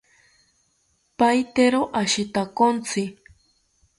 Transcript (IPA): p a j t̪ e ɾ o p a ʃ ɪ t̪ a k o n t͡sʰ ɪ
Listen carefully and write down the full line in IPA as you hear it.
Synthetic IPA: p a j t̪ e ɾ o ʔ a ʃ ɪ t̪ a k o n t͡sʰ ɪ